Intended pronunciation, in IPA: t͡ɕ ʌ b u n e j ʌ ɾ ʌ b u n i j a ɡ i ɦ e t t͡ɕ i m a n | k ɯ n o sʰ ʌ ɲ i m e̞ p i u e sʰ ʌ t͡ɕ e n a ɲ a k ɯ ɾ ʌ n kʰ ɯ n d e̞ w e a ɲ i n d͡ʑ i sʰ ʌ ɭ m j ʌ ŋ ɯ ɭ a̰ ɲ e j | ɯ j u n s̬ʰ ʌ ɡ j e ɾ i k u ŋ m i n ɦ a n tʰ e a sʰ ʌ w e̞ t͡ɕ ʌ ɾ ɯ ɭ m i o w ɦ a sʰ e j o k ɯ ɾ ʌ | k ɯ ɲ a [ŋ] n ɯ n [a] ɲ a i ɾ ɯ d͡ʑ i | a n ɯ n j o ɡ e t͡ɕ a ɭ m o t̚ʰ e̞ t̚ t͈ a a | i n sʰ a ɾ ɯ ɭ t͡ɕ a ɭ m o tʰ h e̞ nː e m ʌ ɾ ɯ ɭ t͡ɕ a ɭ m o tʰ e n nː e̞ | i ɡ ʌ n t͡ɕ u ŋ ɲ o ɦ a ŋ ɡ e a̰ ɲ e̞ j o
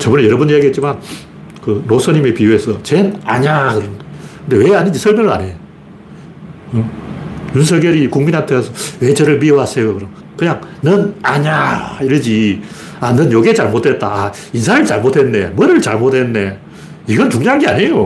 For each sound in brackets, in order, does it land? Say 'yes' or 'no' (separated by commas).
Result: yes, yes